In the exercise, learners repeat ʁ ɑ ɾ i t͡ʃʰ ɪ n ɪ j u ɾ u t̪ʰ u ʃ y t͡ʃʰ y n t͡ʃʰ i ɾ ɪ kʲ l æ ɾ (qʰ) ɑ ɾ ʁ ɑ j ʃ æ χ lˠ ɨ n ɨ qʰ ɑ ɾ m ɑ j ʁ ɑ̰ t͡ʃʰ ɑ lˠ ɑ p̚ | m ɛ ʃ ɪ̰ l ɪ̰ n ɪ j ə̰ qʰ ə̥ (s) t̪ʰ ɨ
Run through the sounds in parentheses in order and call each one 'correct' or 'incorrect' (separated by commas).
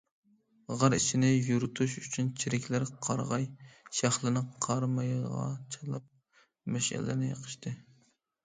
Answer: correct, incorrect